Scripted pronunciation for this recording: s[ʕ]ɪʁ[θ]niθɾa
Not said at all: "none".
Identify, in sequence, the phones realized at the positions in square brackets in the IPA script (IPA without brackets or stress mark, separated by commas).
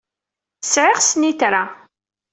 ʕ, s